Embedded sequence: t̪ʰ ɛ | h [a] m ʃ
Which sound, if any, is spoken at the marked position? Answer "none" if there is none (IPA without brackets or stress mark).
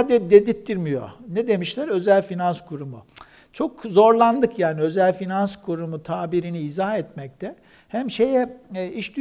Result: æ